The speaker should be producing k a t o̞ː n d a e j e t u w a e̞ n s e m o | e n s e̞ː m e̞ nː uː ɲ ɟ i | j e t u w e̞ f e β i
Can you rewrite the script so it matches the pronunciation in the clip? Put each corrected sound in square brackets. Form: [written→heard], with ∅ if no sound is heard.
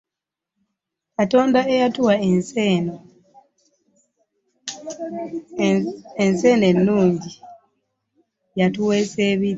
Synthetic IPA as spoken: k a t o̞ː n d a e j [e→a] t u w a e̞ n s e [m→n] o | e n s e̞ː [m→n] e̞ nː uː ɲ ɟ i | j [e→a] t u w e̞ [f→s] e β i